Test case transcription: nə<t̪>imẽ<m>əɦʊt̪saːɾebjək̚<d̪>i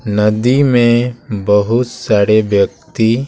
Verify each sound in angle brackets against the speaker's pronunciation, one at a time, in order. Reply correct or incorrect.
incorrect: d̪, incorrect: b, incorrect: t̪

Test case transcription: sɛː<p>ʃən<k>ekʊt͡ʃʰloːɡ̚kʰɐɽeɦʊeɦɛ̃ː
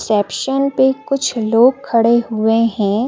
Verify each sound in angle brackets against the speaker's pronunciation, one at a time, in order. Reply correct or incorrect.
correct, incorrect: p

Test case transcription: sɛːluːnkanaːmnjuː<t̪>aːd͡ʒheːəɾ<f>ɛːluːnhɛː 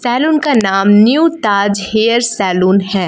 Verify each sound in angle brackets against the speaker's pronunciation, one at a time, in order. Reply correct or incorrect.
correct, incorrect: s

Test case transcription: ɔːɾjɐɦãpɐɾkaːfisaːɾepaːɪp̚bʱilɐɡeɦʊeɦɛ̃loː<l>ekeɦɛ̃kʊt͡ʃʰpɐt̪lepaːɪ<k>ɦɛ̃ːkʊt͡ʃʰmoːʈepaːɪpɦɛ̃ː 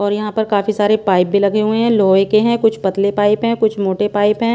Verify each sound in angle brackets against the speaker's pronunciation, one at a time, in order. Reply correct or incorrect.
incorrect: none, incorrect: p

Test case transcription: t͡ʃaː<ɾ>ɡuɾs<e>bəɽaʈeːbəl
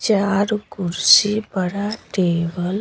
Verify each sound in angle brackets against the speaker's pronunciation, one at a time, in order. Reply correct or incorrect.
correct, incorrect: i

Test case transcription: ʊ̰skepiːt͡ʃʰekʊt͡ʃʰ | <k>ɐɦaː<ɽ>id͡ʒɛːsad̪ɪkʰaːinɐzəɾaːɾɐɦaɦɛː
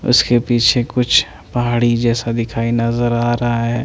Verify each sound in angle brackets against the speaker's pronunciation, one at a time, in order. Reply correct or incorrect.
incorrect: p, correct

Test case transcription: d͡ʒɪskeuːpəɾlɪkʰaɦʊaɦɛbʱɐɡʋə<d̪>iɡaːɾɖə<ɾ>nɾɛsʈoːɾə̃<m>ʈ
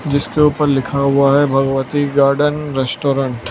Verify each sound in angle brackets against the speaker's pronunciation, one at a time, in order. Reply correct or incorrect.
incorrect: t̪, incorrect: none, incorrect: ɳ

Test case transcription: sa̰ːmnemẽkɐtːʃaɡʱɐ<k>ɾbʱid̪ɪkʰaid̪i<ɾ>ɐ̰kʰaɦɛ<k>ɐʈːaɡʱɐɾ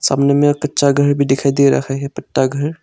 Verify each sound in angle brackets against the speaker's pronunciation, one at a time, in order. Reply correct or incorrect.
incorrect: none, correct, incorrect: p

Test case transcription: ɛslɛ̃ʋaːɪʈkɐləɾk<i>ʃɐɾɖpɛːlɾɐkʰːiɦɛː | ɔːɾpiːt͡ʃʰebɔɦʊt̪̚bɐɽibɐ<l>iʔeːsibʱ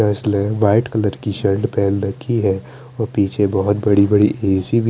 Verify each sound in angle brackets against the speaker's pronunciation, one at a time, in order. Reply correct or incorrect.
correct, incorrect: ɽ

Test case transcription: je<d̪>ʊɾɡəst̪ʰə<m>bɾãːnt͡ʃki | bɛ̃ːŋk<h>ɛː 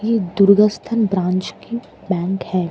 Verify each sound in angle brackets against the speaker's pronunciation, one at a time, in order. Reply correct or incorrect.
correct, incorrect: n, correct

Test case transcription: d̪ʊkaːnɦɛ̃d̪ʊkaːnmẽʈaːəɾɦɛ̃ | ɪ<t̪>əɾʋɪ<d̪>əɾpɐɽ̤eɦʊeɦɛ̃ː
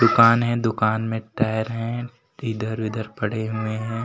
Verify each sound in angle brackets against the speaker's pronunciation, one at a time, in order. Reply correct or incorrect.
incorrect: d̪, correct

